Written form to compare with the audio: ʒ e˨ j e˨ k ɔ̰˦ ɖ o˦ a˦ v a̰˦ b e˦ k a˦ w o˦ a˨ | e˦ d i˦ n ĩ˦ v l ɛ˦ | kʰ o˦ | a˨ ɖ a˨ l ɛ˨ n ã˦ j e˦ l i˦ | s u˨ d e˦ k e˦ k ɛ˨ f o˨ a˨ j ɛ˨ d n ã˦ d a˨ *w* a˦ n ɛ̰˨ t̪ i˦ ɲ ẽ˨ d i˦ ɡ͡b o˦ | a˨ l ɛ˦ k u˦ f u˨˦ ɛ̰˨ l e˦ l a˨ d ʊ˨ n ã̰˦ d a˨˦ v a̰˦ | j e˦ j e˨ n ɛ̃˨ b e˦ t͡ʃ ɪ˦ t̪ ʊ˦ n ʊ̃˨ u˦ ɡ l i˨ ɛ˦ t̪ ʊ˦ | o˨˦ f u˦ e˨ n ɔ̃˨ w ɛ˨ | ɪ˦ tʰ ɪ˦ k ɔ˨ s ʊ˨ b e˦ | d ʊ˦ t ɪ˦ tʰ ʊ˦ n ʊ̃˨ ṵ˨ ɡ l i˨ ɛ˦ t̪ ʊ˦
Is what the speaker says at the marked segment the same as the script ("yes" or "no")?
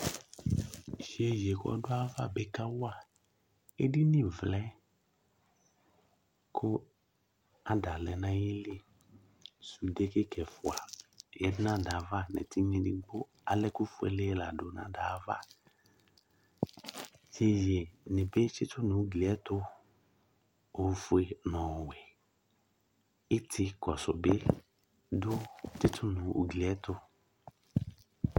no